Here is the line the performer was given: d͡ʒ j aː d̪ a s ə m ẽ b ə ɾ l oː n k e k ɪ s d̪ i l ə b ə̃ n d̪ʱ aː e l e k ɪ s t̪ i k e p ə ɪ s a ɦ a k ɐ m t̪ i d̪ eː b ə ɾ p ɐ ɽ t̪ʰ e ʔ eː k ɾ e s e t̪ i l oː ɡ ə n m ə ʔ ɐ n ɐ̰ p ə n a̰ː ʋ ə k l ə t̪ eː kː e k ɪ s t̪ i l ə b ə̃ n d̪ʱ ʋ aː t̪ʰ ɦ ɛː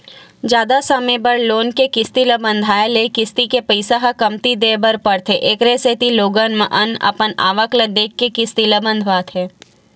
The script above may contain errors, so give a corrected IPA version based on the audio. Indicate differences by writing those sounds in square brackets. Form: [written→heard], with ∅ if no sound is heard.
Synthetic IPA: d͡ʒ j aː d̪ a s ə m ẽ b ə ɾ l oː n k e k ɪ s [d̪→t̪] i l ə b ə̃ n d̪ʱ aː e l e k ɪ s t̪ i k e p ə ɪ s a ɦ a k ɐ m t̪ i d̪ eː b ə ɾ p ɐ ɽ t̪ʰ e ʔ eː k ɾ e s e t̪ i l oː ɡ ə n m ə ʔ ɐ n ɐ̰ p ə n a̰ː ʋ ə k l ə [t̪→d̪] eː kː e k ɪ s t̪ i l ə b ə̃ n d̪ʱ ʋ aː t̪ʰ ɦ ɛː